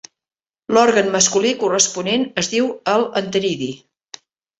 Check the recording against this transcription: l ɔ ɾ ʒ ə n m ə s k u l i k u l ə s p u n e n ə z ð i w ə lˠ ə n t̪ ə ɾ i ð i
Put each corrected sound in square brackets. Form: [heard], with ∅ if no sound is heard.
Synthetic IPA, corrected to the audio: l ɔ ɾ [ɣ] ə n m ə s k u l i k u [r] ə s p u n e n ə z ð i w ə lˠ ə n t̪ ə ɾ i ð i